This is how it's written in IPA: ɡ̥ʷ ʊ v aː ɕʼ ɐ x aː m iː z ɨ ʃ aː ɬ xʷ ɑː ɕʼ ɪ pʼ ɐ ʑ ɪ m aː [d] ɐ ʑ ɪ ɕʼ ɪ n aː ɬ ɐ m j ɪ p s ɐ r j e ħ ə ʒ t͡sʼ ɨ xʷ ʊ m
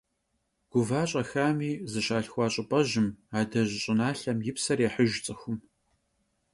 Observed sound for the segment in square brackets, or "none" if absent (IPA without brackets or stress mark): d